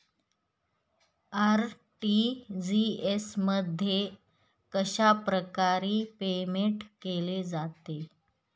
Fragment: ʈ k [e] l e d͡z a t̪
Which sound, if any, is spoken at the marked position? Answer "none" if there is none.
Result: e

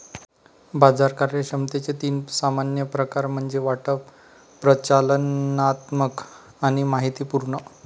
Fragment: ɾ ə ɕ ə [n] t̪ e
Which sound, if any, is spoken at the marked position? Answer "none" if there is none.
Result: m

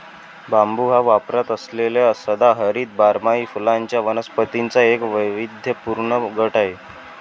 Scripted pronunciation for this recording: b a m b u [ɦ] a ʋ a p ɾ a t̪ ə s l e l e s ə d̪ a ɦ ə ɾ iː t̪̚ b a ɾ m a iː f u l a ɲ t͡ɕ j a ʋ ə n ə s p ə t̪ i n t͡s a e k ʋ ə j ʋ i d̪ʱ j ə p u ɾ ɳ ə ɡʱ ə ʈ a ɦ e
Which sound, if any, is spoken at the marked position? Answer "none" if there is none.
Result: ɦ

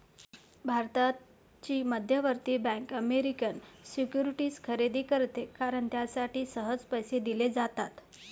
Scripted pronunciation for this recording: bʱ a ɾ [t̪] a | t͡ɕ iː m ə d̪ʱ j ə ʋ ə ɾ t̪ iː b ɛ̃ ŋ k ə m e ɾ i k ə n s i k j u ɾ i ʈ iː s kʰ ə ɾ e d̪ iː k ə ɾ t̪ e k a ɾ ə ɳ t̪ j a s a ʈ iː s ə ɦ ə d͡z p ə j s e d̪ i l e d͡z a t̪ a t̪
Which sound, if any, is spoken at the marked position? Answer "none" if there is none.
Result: t̪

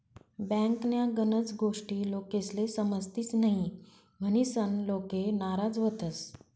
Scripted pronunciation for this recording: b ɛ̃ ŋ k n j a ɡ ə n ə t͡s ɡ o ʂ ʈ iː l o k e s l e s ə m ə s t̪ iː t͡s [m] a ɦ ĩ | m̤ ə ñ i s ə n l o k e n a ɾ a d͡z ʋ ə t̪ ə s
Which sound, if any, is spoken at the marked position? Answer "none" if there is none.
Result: n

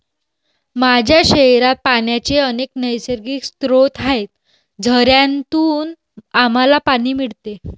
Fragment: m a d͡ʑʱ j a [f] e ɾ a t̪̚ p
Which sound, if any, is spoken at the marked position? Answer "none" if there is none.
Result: ɕ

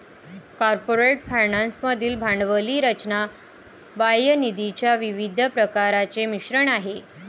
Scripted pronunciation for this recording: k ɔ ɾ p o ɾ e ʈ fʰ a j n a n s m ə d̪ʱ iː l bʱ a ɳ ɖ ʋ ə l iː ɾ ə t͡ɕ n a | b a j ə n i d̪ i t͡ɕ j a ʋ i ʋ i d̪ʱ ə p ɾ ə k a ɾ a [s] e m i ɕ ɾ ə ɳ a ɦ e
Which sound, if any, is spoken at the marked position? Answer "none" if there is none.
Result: t͡s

